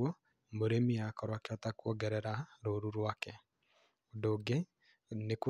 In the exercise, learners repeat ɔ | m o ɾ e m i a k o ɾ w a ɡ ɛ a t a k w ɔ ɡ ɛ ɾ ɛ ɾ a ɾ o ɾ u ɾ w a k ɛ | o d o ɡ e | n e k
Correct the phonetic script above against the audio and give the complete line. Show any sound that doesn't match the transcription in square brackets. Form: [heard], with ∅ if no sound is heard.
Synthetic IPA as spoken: ɔ | m o ɾ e m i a k [ɔ] ɾ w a [k] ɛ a t a k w ɔ ɡ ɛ ɾ ɛ ɾ a ɾ o ɾ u ɾ w a k ɛ | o d o ɡ e | n e k